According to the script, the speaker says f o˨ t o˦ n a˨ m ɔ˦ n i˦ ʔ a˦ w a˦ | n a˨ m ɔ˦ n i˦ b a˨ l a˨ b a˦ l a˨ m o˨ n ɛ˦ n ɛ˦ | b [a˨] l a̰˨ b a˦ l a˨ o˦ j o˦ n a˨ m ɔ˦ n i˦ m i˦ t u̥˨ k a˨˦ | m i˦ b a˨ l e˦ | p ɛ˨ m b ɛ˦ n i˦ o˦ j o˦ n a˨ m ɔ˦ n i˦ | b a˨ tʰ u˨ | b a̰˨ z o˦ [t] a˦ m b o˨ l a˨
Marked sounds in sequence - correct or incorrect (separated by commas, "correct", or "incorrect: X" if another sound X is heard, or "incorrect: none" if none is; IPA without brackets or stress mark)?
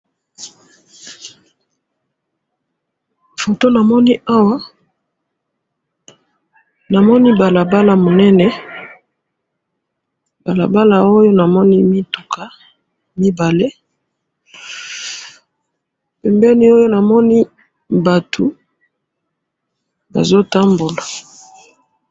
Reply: correct, correct